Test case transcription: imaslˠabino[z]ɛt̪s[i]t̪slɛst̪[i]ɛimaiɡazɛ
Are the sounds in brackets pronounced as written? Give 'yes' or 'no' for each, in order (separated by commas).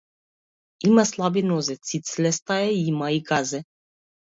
yes, yes, no